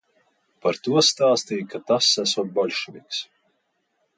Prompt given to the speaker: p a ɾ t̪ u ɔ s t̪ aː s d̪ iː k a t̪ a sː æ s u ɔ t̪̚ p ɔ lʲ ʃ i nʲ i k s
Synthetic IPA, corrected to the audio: p a ɾ t̪ u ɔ s t̪ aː s t̪ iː k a t̪ a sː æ s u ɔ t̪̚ b ɔ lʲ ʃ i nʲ i k s